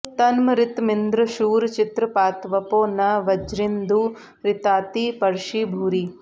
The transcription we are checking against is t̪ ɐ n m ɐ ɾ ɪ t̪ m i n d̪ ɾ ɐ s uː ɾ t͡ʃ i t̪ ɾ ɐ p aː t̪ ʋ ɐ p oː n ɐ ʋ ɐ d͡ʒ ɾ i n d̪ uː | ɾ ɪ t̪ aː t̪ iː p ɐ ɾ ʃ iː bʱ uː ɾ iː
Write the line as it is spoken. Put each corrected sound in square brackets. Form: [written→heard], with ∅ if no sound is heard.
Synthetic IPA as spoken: t̪ ɐ n m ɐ ɾ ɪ t̪ m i n d̪ ɾ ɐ [s→ʃ] uː ɾ t͡ʃ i t̪ ɾ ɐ p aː t̪ ʋ ɐ p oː n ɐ ʋ ɐ d͡ʒ ɾ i n d̪ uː | ɾ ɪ t̪ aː t̪ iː p ɐ ɾ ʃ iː bʱ uː ɾ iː